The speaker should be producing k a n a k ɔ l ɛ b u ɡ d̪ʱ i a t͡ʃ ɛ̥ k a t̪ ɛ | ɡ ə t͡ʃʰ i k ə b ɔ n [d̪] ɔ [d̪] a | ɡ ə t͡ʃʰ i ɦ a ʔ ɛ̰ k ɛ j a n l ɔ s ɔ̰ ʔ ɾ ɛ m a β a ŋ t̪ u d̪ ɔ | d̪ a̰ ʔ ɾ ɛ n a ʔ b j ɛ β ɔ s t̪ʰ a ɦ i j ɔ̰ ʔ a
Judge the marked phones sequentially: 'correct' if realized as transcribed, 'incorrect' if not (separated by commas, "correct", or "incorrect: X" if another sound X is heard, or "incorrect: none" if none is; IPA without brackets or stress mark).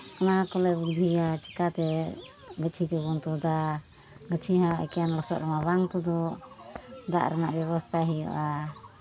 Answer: incorrect: t̪, correct